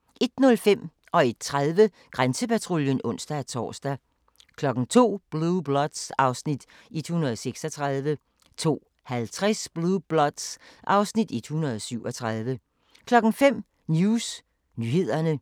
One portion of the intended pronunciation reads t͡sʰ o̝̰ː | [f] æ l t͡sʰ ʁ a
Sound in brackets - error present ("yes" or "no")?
yes